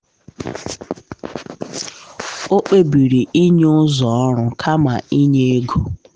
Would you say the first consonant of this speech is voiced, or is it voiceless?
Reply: voiceless